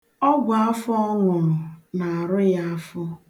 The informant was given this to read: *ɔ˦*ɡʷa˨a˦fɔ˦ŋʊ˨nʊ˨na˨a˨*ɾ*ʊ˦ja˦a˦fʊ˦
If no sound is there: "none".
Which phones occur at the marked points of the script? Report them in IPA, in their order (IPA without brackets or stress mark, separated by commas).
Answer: ɔ˦, ɾ